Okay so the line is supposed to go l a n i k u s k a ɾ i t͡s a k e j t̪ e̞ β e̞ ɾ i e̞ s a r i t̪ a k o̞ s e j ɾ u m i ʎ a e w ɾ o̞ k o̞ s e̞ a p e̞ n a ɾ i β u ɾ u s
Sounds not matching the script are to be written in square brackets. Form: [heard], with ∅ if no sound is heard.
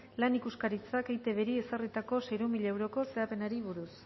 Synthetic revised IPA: l a n i k u s k a ɾ i t͡s a k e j t̪ e̞ β e̞ ɾ i e̞ s a r i t̪ a k o̞ s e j ɾ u m i ʎ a e w ɾ o̞ k o̞ s e̞ a p e̞ n a ɾ i β u ɾ u s